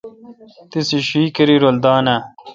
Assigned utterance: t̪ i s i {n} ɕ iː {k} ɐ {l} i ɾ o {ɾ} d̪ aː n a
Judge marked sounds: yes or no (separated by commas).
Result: no, yes, no, no